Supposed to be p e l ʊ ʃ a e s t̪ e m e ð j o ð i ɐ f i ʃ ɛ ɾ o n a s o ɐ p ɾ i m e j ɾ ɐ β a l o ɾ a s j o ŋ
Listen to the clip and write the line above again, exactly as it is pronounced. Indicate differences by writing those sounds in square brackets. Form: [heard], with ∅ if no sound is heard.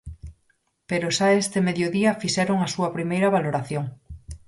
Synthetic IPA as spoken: p e [ɾ] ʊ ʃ a e s t̪ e m e ð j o ð i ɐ f i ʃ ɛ ɾ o [ŋ] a s [u] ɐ p ɾ i m e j ɾ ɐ β a l o ɾ a [θ] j o ŋ

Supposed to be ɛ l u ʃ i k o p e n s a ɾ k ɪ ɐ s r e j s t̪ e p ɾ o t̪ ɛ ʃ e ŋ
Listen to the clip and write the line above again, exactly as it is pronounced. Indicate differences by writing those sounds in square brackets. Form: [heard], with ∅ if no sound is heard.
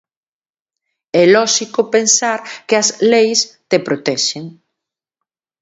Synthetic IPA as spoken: ɛ l [ɔ] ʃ i k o p e n s a ɾ k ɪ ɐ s [l] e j s t̪ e p ɾ o t̪ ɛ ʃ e ŋ

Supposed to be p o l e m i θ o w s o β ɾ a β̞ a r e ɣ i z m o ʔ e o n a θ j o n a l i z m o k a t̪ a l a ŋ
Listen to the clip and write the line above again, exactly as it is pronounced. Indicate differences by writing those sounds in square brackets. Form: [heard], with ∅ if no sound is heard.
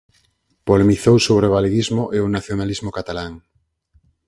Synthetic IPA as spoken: p o l e m i θ o w s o β ɾ [e] β̞ a [l] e ɣ i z m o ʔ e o n a θ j o n a l i z m o k a t̪ a l a ŋ

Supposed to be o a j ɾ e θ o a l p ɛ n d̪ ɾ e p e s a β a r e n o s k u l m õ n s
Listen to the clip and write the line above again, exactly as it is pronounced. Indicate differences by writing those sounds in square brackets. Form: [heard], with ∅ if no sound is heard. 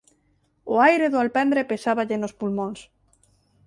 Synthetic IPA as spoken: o a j ɾ e [ð] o a l p ɛ n d̪ ɾ e p e s a β a [ʎ] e n o s [p] u l m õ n s

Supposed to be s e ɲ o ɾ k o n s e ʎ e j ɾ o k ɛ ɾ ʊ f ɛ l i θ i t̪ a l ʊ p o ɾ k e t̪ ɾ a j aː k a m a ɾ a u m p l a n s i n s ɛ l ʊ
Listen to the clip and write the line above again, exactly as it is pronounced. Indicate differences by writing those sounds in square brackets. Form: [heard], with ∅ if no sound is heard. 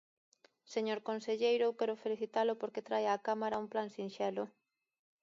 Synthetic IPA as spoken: s e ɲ o ɾ k o n s e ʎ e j ɾ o k ɛ ɾ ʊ f [e] l i θ i t̪ a l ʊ p o ɾ k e t̪ ɾ a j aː k a m a ɾ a u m p l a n s i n [ʃ] ɛ l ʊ

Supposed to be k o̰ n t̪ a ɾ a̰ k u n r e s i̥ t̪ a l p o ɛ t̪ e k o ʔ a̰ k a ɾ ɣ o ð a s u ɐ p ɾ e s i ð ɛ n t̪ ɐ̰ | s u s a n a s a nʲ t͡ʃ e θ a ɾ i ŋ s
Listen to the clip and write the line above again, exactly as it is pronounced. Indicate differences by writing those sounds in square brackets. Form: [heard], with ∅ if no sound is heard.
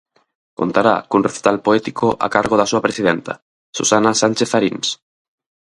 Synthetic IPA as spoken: k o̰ n t̪ a ɾ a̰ k u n r e [θ] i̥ t̪ a l p o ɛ t̪ [i] k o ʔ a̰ k a ɾ ɣ o ð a s u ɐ p ɾ e s i ð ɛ n t̪ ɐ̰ | s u s a n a s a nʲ t͡ʃ e θ a ɾ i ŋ s

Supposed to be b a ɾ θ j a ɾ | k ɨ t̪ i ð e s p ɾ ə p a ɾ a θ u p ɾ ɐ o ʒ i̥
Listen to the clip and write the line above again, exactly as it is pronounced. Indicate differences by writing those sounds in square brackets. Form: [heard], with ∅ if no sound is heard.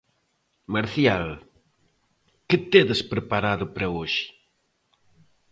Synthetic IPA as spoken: [m] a ɾ θ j a [l] | k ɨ t̪ [e] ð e s p ɾ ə p a ɾ a [ð] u p ɾ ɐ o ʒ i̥

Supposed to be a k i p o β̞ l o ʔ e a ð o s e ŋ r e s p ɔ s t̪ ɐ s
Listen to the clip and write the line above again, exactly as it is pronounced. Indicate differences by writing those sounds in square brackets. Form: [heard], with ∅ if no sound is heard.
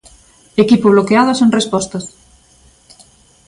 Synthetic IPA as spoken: [e] k i p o β̞ l o [k] e a ð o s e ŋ r e s p ɔ s t̪ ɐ s

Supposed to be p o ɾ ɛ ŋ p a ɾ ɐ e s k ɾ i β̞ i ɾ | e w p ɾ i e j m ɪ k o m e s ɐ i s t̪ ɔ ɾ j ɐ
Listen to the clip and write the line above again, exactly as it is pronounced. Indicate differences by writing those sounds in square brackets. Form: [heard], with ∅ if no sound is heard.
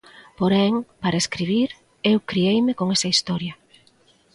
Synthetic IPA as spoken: p o ɾ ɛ ŋ p a ɾ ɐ e s k ɾ i β̞ i ɾ | e w [k] ɾ i e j m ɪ k o [ŋ] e s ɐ i s t̪ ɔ ɾ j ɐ

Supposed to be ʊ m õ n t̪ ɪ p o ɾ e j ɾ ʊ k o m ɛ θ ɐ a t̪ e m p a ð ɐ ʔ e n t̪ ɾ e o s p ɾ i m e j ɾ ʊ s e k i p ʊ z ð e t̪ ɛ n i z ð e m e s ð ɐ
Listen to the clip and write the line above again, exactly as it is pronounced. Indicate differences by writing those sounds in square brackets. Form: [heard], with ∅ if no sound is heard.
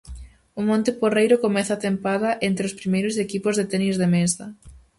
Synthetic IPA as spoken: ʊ m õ n t̪ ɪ p o [r] e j ɾ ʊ k o m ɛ θ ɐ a t̪ e m p a ð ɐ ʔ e n t̪ ɾ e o s p ɾ i m e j ɾ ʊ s e k i p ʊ z ð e t̪ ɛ n i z ð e m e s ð ɐ

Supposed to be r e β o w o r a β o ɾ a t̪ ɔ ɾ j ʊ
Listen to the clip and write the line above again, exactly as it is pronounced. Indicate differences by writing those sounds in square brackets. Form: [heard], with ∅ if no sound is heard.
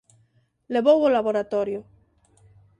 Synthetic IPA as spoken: [l] e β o w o [l] a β o ɾ a t̪ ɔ ɾ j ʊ

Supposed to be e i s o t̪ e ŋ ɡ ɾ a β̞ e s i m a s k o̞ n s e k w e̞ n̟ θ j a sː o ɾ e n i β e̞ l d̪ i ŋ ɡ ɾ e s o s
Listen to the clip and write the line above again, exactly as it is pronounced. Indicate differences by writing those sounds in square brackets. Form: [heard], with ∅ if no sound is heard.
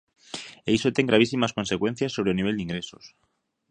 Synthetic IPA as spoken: e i s o t̪ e ŋ ɡ ɾ a β̞ [i] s i m a s k o̞ n s e k w e̞ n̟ θ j a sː o ɾ e n i β e̞ l d̪ i ŋ ɡ ɾ e s o s

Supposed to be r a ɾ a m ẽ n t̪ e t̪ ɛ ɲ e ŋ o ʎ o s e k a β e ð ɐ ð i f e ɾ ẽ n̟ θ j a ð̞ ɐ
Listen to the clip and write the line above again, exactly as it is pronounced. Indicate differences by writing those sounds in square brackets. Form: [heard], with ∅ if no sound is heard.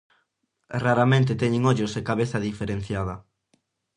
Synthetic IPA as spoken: r a ɾ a m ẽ n t̪ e t̪ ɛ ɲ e ŋ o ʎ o s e k a β e [θ] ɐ ð i f e ɾ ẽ n̟ θ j a ð̞ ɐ

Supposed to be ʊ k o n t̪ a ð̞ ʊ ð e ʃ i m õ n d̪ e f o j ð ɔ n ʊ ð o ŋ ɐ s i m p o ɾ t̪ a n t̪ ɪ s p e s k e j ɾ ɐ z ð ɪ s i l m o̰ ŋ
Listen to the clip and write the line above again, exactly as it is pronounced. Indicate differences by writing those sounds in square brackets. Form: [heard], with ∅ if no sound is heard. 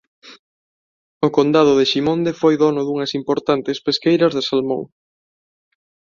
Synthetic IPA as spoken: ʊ k o n [d̪] a ð̞ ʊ ð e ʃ i m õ n d̪ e f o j ð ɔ n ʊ ð [u] ŋ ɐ s i m p o ɾ t̪ a n t̪ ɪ s p e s k e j ɾ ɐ z ð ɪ s [a] l m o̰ ŋ

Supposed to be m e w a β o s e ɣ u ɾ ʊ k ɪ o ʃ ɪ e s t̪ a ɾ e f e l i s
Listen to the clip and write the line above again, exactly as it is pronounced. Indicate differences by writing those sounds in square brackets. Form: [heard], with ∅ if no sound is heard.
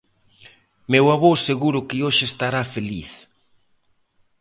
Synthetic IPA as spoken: m e w a β o s e ɣ u ɾ ʊ k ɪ o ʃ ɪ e s t̪ a ɾ [a] f e l i [θ]

